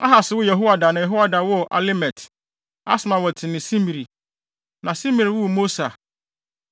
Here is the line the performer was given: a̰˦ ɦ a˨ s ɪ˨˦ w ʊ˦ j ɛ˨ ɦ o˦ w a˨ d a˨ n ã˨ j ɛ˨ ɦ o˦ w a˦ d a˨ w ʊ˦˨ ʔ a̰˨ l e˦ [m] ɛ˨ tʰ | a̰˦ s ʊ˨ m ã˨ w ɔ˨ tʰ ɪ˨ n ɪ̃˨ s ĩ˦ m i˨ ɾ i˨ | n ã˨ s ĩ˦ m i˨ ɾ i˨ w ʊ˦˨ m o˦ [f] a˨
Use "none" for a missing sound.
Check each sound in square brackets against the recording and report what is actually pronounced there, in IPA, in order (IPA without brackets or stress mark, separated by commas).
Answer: m, s